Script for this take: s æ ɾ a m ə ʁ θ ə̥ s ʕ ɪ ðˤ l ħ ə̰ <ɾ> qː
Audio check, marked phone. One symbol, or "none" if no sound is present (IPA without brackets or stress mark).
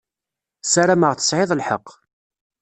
none